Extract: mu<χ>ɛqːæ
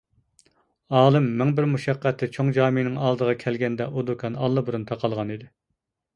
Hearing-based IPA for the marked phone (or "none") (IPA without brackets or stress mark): ʃ